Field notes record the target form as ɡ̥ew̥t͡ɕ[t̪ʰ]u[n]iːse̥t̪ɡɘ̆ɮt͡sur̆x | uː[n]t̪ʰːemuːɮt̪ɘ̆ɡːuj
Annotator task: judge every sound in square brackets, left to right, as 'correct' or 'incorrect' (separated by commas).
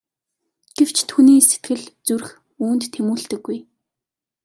correct, correct, correct